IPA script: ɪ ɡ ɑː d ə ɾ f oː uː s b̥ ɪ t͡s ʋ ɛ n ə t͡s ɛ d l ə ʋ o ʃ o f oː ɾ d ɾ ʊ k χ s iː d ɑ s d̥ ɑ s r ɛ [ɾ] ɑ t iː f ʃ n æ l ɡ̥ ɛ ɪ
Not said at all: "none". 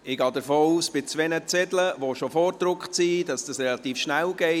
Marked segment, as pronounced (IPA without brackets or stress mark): l